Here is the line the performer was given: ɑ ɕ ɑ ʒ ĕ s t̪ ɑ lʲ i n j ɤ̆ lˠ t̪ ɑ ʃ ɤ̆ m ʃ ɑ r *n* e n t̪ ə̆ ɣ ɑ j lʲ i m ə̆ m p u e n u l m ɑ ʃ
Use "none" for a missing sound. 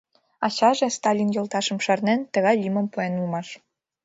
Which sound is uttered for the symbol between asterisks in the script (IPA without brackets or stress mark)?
n